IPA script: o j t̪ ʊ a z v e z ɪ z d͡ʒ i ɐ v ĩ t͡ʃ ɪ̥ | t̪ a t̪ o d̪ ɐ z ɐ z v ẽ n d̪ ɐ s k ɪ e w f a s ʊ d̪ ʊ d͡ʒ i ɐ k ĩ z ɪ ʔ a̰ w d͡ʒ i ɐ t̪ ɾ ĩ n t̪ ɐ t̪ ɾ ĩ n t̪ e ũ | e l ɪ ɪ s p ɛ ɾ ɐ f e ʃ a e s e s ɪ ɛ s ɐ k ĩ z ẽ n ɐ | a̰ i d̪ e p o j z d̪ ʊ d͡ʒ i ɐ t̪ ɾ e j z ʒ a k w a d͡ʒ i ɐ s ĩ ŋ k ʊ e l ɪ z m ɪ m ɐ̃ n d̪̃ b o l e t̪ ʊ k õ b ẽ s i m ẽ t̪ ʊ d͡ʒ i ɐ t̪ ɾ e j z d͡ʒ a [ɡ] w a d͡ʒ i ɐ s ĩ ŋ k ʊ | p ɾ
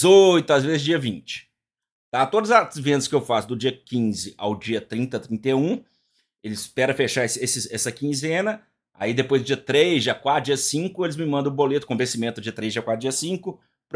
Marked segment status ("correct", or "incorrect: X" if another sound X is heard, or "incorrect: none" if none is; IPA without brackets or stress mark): incorrect: k